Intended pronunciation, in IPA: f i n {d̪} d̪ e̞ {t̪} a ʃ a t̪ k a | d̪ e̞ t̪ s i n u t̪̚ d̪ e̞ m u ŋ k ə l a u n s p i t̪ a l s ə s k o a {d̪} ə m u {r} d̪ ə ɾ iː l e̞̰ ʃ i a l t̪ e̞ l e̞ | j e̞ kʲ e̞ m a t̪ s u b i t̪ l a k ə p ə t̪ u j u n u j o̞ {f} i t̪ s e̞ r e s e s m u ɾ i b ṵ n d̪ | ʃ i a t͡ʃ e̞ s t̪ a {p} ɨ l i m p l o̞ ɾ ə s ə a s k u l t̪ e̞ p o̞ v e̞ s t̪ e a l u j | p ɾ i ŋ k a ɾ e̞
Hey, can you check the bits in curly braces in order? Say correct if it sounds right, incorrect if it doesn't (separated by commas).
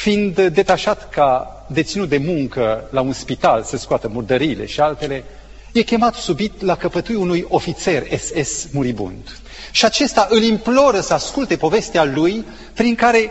correct, correct, incorrect, correct, correct, incorrect